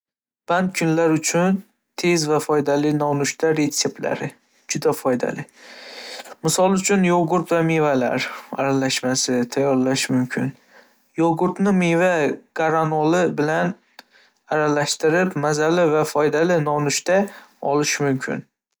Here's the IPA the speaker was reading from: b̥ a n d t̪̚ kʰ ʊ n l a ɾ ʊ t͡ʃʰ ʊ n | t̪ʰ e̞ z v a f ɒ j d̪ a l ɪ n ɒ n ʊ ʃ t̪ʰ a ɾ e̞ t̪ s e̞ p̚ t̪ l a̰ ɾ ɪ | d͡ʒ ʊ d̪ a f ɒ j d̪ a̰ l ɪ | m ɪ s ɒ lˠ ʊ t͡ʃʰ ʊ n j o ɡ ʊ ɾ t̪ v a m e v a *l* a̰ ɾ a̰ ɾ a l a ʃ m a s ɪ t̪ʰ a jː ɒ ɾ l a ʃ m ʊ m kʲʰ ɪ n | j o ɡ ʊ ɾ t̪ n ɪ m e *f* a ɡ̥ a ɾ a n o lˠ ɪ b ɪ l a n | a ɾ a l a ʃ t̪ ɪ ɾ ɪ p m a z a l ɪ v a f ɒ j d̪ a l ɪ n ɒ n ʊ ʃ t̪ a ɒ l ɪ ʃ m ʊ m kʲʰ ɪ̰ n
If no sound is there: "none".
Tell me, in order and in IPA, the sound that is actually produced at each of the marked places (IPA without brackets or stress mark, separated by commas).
l, v